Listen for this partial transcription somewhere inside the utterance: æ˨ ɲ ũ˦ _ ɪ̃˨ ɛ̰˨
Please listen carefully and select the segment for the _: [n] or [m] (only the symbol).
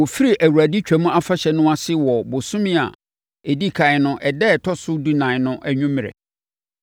m